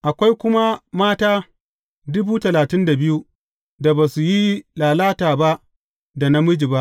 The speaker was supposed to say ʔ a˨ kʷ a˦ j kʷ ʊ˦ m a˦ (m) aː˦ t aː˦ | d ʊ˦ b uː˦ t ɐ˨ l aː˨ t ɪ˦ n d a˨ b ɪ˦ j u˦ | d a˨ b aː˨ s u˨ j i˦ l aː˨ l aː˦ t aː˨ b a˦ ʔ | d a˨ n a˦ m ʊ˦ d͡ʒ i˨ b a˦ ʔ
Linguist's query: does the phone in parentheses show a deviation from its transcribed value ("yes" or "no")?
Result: no